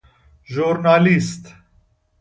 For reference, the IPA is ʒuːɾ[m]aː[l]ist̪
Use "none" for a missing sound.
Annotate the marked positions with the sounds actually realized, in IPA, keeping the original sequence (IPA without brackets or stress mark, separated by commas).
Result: n, l